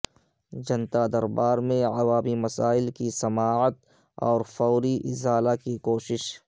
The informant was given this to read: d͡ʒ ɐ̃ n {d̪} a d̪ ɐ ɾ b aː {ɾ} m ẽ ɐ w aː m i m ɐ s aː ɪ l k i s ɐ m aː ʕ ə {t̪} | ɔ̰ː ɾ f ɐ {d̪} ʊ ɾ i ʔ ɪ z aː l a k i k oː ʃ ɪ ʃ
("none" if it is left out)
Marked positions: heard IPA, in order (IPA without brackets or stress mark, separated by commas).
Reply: t̪, ɾ, t̪, none